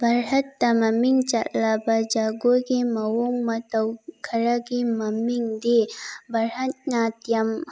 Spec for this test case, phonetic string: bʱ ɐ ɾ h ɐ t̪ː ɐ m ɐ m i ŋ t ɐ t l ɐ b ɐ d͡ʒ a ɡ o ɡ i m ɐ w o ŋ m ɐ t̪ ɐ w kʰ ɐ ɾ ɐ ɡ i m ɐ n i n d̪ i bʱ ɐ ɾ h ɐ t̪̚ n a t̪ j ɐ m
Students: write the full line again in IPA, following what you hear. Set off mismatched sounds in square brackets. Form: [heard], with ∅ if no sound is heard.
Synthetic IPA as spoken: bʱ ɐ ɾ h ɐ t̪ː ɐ m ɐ m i ŋ [t͡ʃ] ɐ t l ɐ b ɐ d͡ʒ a ɡ o ɡ i m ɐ w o ŋ m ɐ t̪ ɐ w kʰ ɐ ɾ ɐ ɡ i m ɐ [m] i [ŋ] d̪ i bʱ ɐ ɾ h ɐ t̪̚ n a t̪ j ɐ m

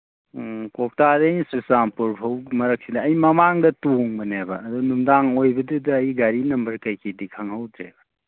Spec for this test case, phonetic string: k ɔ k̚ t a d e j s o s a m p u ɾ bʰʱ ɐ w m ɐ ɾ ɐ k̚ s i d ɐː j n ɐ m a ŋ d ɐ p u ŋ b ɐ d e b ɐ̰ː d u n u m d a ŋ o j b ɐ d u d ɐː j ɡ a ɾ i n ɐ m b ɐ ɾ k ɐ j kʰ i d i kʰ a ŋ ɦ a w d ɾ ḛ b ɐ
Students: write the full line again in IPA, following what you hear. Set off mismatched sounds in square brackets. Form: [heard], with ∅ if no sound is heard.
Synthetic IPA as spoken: k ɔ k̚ t a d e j s [u] s a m p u ɾ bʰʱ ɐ w m ɐ ɾ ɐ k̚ s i d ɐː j [m] ɐ m a ŋ d ɐ [t] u ŋ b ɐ [n] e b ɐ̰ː d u n u m d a ŋ o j b ɐ d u d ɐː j ɡ a ɾ i n ɐ m b ɐ ɾ k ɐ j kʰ i d i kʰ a ŋ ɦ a w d ɾ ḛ b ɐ

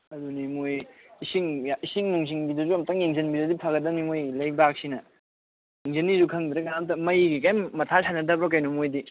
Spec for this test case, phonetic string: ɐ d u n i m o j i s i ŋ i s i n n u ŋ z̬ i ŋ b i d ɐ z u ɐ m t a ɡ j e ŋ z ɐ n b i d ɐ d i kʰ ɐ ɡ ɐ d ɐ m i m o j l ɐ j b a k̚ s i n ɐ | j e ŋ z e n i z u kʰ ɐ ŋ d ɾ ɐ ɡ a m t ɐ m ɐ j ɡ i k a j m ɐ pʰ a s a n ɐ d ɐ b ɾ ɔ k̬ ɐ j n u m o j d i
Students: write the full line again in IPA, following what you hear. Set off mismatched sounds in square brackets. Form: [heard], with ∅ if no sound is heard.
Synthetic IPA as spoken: ɐ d u n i m o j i s i ŋ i s i [ŋ] n u ŋ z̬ i ŋ b i d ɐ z u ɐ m t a [ŋ] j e ŋ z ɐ n b i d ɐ d i [pʰ] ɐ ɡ ɐ d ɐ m i m o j l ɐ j b a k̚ s i n ɐ | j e ŋ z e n i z u kʰ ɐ ŋ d ɾ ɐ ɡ a m t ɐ m ɐ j ɡ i k a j m ɐ [tʰ] a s a n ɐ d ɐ b ɾ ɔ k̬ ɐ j n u m o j d i

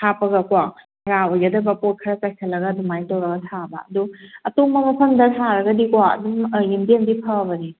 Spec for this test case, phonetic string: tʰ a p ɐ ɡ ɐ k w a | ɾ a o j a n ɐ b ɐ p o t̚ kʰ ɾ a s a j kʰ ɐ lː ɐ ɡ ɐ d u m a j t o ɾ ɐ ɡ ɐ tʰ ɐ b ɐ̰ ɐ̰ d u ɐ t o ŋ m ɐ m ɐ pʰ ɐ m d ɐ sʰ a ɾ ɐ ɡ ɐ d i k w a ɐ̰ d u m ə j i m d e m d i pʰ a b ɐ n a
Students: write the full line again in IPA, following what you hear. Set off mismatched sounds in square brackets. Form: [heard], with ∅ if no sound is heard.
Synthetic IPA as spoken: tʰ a p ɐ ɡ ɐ k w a | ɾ a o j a [d] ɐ b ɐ p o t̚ kʰ ɾ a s a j kʰ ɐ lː ɐ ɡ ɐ d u m a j t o ɾ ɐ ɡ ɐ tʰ [a] b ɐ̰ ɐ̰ d u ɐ t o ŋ m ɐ m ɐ pʰ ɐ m d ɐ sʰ a ɾ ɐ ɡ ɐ d i k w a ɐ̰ d u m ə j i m d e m d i pʰ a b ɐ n [i]

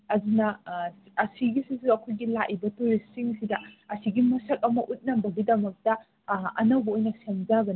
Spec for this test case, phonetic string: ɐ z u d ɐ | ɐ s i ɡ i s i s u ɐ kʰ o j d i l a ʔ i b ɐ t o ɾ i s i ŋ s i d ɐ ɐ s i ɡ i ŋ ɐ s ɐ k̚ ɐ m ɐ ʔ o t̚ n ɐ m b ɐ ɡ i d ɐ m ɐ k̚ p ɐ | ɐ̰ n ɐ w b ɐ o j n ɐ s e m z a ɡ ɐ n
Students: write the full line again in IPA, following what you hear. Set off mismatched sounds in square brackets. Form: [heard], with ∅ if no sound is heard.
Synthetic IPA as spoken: ɐ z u [n] ɐ | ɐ s i ɡ i s i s u ɐ kʰ o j [ɡ] i l a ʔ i b ɐ t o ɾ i s i ŋ s i d ɐ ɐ s i ɡ i [m] ɐ s ɐ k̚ ɐ m ɐ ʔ [u] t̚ n ɐ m b ɐ ɡ i d ɐ m ɐ k̚ [t] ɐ | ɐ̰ n ɐ w b ɐ o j n ɐ s e m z a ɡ ɐ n

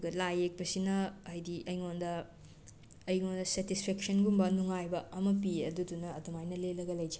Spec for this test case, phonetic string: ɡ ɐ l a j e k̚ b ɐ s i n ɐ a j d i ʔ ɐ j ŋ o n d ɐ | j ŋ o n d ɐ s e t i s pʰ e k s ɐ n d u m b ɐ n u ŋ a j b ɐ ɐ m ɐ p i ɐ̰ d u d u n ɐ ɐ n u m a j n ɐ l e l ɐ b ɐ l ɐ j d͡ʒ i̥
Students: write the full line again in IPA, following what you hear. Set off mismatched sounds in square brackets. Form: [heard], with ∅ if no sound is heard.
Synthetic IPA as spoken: ɡ ɐ l a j e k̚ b ɐ s i n ɐ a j d i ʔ ɐ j ŋ o n d ɐ | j ŋ o n d ɐ s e t i s pʰ e k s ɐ n [ɡ] u m b ɐ n u ŋ a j b ɐ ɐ m ɐ p i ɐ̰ d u d u n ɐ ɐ [d] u m a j n ɐ l e l ɐ [ɡ] ɐ l ɐ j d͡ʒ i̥

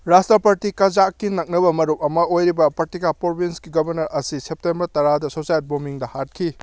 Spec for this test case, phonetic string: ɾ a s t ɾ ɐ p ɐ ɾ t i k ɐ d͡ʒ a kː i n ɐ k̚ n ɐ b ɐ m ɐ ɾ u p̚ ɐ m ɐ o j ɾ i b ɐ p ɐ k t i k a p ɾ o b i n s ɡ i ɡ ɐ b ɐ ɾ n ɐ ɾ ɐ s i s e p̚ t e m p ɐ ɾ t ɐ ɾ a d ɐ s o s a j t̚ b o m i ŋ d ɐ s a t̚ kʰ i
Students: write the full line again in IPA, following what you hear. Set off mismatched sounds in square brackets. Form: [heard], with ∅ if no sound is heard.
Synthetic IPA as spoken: ɾ a s t ɾ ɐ p ɐ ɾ t i k ɐ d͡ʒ a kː i n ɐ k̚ n ɐ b ɐ m ɐ ɾ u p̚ ɐ m ɐ o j ɾ i b ɐ p ɐ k t i k a p ɾ o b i n s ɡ i ɡ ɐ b ɐ ɾ n ɐ ɾ ɐ s i s e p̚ t e m [b] ɐ ɾ t ɐ ɾ a d ɐ s o s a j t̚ b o m i ŋ d ɐ [h] a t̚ kʰ i

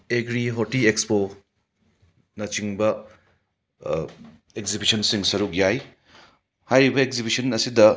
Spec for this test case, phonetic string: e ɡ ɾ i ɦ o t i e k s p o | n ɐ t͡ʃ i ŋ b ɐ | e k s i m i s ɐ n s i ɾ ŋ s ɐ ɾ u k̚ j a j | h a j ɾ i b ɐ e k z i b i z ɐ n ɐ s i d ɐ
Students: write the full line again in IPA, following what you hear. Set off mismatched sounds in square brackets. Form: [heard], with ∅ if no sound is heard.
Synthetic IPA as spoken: e ɡ ɾ i ɦ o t i e k s p o | n ɐ t͡ʃ i ŋ b ɐ | e k [z] i [b] i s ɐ n s i [∅] ŋ s ɐ ɾ u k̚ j a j | h a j ɾ i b ɐ e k z i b i [s] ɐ n ɐ s i d ɐ

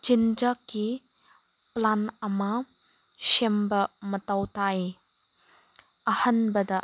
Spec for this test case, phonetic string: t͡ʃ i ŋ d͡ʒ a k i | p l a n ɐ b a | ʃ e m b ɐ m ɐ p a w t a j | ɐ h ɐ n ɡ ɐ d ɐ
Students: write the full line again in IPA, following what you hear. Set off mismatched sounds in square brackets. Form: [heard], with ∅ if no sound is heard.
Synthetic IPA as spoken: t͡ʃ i [n] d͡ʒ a k i | p l a n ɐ [m] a | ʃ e m b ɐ m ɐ [t] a w t a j | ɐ h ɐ n [b] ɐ d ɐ

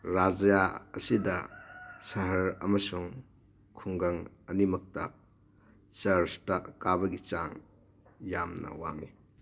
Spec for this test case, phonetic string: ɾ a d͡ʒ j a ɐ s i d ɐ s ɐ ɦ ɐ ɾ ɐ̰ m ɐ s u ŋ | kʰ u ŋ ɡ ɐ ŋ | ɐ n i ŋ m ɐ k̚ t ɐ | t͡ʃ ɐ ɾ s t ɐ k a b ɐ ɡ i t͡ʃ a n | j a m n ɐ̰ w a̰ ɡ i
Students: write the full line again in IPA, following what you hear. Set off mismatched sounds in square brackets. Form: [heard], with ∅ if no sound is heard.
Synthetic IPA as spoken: ɾ a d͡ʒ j a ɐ s i d ɐ s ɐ ɦ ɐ ɾ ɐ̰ m ɐ s u ŋ | kʰ u ŋ ɡ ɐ ŋ | ɐ n i [∅] m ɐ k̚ t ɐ | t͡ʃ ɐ ɾ s t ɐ k a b ɐ ɡ i t͡ʃ a [ŋ] | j a m n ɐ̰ w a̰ [ŋ] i

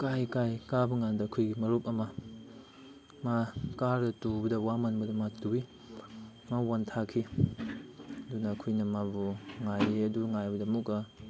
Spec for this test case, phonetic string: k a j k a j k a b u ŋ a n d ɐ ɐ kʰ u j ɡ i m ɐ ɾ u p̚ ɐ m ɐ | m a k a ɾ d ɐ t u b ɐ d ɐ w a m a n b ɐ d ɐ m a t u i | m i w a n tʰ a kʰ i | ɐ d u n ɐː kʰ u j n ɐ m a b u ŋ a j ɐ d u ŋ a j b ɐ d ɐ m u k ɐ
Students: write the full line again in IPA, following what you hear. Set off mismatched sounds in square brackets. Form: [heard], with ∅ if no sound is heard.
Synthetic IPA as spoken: k a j k a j k a b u ŋ a n d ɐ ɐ kʰ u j ɡ i m ɐ ɾ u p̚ ɐ m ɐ | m a k a ɾ d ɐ t u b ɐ d ɐ w a m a n b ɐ d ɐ m a t u i | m [a] w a n tʰ a kʰ i | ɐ d u n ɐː kʰ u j n ɐ m a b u ŋ a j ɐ d u ŋ a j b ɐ d ɐ m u k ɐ

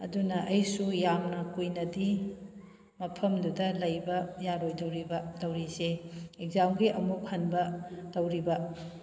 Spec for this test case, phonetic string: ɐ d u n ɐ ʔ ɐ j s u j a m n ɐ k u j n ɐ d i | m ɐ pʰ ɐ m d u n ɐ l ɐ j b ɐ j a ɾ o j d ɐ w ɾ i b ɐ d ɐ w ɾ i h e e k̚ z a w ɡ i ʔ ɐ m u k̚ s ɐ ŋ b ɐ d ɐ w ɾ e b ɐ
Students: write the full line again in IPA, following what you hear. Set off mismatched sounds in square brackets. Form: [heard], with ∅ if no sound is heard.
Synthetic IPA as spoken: ɐ d u n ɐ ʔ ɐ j s u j a m n ɐ k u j n ɐ d i | m ɐ pʰ ɐ m d u [d] ɐ l ɐ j b ɐ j a ɾ o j d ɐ w ɾ i b ɐ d ɐ w ɾ i [s] e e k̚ z a w ɡ i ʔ ɐ m u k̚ [h] ɐ [n] b ɐ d ɐ w ɾ [i] b ɐ

